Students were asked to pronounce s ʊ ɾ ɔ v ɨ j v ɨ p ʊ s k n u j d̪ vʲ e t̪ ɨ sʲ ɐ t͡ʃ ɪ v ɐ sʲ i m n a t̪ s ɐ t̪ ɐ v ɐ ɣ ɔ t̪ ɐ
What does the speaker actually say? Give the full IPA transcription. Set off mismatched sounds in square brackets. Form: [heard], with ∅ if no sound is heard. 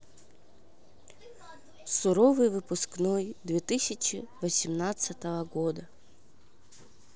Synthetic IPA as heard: s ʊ ɾ ɔ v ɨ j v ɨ p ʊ s k n [ɔ] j d̪ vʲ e t̪ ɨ sʲ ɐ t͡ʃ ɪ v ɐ sʲ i m n a t̪ s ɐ t̪ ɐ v ɐ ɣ ɔ [d̪] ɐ